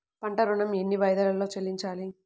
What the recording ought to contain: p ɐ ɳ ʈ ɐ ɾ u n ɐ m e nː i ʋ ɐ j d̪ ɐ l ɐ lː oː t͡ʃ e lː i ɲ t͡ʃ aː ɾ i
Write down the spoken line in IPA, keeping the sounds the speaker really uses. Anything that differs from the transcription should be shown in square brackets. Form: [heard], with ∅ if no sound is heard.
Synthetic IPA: p ɐ ɳ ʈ ɐ ɾ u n ɐ m e nː i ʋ ɐ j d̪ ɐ l ɐ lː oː t͡ʃ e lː i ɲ t͡ʃ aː [l] i